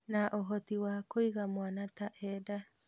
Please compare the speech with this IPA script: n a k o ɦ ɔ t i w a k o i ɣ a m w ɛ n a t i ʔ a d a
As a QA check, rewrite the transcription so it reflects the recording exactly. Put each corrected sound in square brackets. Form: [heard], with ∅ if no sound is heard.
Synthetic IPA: n a [ʔ] o ɦ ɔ t i w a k o i ɣ a m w [a] n a t [a] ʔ [ɛ] d a